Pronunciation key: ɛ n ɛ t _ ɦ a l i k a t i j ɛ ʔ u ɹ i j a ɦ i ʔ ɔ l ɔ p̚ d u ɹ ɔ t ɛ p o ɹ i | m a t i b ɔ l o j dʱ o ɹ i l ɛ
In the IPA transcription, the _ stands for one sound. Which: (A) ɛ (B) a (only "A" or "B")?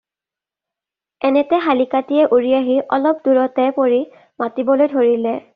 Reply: A